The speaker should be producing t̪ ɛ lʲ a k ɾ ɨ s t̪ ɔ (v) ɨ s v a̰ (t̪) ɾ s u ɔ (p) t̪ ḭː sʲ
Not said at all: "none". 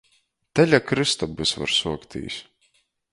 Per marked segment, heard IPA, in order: b, none, k

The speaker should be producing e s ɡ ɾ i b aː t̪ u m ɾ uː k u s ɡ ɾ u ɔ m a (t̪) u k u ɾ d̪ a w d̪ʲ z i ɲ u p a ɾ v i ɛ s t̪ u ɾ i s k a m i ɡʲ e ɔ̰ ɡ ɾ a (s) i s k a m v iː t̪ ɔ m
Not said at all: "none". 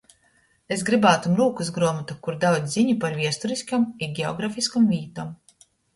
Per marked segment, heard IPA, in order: t̪, f

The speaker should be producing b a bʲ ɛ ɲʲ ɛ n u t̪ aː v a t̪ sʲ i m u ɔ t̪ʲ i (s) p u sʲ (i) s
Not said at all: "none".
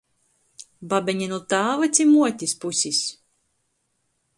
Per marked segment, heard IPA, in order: s, i

